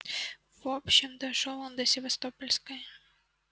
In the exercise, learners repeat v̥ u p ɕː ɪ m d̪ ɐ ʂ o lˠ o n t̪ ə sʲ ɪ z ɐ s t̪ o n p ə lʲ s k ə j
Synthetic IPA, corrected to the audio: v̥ o p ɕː ɪ m d̪ ɐ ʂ o lˠ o n d̪ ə sʲ ɪ v ɐ s t̪ o p ə lʲ s k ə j